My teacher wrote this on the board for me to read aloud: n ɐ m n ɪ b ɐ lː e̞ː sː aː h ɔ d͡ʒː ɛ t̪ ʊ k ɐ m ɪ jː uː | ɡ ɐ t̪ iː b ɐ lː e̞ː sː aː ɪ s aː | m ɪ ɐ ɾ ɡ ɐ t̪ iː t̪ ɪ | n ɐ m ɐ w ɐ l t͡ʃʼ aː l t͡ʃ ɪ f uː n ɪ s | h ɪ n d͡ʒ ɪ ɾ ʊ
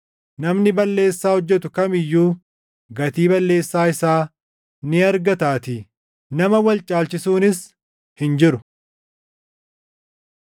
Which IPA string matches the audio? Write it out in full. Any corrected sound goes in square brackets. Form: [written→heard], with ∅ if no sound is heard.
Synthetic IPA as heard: n ɐ m n ɪ b ɐ lː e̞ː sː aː h ɔ d͡ʒː ɛ t̪ ʊ k ɐ m ɪ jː uː | ɡ ɐ t̪ iː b ɐ lː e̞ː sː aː ɪ s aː | [m→n] ɪ ɐ ɾ ɡ ɐ t̪ [iː→aː] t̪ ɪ | n ɐ m ɐ w ɐ l t͡ʃʼ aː l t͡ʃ ɪ [f→s] uː n ɪ s | h ɪ n d͡ʒ ɪ ɾ ʊ